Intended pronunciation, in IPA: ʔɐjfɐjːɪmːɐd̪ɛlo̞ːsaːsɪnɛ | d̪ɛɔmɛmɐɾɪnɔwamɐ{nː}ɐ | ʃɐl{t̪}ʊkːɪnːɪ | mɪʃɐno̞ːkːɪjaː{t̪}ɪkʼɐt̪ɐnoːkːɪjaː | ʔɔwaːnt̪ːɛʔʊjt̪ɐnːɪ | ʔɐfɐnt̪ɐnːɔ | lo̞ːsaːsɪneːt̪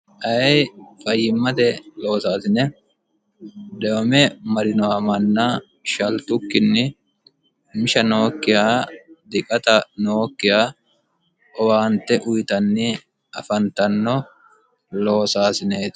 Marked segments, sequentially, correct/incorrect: correct, correct, incorrect: d̪

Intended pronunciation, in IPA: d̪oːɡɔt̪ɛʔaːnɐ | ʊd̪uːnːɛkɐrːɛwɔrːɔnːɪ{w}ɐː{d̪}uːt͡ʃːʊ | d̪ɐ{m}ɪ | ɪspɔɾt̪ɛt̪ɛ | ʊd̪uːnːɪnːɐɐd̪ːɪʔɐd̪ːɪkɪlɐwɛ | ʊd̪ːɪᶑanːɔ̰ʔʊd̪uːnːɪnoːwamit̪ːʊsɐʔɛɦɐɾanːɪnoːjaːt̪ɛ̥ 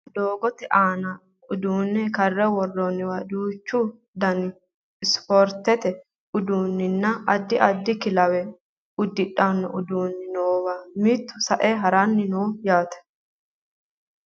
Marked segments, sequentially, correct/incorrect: correct, correct, incorrect: n

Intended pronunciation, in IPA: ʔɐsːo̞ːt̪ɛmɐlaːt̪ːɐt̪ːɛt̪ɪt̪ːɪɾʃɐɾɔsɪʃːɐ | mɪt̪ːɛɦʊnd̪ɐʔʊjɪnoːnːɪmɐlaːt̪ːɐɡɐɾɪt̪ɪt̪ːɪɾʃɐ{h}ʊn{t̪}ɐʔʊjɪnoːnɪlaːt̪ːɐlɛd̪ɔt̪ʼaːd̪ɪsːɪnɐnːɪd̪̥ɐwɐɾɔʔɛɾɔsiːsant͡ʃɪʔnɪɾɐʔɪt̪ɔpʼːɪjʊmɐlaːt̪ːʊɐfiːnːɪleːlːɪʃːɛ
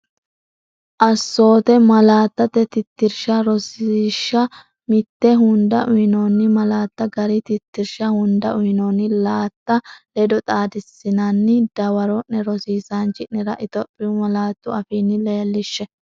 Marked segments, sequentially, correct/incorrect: correct, incorrect: d̪

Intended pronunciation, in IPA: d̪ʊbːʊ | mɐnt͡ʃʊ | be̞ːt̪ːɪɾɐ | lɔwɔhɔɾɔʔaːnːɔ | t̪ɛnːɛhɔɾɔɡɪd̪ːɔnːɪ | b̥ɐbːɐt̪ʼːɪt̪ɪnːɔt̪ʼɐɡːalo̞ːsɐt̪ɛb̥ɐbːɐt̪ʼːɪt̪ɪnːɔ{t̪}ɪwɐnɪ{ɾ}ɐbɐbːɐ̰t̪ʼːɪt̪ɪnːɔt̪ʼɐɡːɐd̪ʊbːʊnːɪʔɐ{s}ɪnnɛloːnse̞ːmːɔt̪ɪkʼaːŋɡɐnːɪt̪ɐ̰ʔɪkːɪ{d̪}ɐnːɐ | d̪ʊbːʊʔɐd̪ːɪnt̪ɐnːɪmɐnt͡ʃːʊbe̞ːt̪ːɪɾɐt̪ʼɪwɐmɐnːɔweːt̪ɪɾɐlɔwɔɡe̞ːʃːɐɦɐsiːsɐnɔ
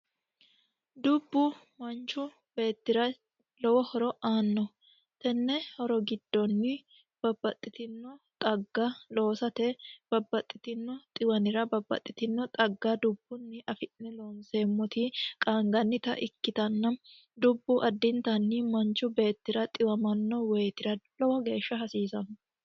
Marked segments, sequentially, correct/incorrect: incorrect: t̪ʼ, correct, incorrect: f, incorrect: t̪

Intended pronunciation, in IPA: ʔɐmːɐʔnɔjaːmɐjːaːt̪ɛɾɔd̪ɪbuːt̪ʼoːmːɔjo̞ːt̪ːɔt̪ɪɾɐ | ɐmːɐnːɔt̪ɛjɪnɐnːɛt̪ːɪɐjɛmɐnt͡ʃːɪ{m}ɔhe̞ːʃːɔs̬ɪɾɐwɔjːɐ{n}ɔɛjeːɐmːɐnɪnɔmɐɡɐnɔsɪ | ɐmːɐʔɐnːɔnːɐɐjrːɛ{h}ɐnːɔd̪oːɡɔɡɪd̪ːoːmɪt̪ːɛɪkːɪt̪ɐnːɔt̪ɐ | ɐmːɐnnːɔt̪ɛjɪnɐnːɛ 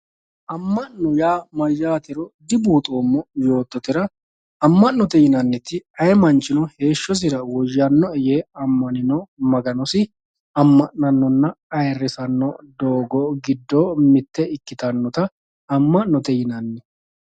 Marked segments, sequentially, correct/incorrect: incorrect: n, incorrect: nː, incorrect: s

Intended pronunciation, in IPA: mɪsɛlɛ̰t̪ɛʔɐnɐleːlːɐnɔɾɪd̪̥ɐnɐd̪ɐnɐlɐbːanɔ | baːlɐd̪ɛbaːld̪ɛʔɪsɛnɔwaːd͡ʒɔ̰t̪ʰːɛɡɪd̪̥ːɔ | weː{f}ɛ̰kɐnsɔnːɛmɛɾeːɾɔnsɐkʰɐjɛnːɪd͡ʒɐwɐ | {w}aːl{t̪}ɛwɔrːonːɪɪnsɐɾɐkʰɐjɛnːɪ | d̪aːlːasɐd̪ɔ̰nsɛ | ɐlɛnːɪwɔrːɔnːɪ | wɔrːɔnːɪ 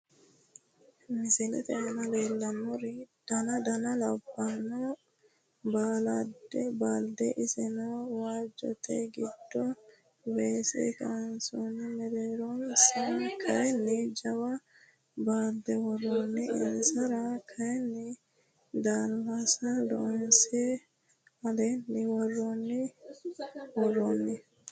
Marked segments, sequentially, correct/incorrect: incorrect: s, incorrect: b, incorrect: d̪

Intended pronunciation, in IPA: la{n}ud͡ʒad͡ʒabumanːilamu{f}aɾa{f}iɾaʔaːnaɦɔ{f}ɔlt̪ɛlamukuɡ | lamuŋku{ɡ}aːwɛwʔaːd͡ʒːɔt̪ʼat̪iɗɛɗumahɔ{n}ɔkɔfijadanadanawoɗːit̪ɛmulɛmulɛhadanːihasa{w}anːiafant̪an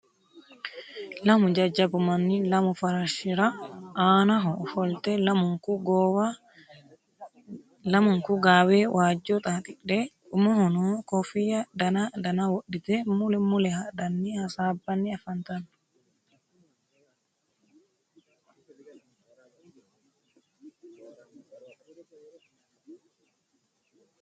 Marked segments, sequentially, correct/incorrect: incorrect: m, correct, incorrect: ʃ, correct, correct, correct, incorrect: b

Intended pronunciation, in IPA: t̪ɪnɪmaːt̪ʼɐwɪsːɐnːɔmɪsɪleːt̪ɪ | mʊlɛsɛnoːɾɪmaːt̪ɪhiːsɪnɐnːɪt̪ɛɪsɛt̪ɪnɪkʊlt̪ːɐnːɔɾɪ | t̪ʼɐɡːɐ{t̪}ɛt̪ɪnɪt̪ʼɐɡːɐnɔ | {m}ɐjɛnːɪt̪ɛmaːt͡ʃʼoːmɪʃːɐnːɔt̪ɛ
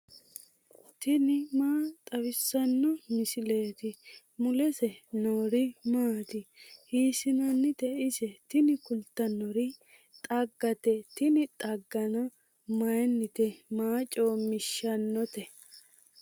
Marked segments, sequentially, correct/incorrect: correct, correct

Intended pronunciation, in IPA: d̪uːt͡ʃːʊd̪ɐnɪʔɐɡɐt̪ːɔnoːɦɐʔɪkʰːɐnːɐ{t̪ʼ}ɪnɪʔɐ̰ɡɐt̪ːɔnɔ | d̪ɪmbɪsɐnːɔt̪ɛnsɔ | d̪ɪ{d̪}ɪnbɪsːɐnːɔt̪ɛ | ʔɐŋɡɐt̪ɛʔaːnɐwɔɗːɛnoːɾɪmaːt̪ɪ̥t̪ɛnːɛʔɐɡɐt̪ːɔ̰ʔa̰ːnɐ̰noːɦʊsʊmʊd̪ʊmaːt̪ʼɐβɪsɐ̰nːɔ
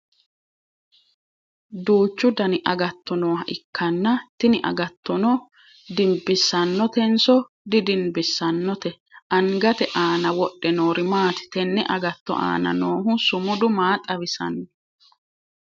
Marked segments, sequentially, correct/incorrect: incorrect: t̪, correct

